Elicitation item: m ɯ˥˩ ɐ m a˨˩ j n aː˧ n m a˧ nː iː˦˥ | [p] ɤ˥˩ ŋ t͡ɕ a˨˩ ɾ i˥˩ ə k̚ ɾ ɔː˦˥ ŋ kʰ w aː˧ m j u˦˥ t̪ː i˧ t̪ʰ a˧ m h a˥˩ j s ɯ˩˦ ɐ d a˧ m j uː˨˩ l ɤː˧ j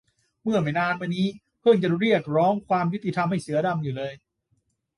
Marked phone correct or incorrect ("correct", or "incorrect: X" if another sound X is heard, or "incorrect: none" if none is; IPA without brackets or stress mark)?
incorrect: pʰ